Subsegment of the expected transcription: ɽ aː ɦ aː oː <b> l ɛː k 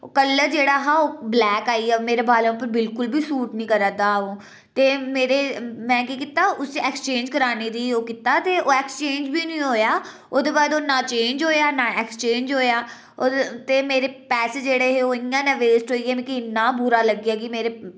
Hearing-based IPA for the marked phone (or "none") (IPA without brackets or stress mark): b